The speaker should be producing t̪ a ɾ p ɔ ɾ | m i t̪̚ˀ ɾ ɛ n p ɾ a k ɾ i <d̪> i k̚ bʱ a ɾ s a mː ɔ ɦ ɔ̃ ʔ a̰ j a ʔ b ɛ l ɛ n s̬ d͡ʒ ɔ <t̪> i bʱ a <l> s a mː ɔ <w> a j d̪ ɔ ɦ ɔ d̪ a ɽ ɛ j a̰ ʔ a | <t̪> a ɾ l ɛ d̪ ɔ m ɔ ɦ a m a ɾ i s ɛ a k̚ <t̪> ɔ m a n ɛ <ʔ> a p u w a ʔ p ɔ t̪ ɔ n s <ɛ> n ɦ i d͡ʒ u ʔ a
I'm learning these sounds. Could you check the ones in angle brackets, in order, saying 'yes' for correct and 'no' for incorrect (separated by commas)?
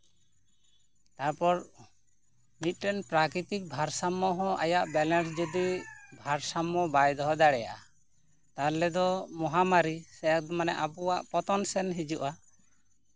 no, no, no, no, yes, no, yes, yes